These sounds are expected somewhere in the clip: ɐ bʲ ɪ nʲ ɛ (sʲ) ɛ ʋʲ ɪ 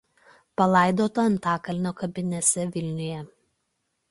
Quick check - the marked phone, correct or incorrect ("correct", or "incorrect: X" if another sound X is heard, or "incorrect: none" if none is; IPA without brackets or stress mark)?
correct